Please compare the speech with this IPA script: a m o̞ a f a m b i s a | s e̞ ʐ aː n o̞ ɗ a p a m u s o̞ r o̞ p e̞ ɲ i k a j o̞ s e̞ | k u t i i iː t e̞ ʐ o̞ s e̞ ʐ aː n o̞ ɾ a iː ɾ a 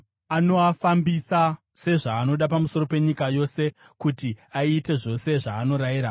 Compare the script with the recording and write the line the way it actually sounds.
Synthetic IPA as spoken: a n o̞ a f a m b i s a | s e̞ ʐ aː n o̞ ɗ a p a m u s o̞ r o̞ p e̞ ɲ i k a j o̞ s e̞ | k u t i a iː t e̞ ʐ o̞ s e̞ ʐ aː n o̞ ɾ a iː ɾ a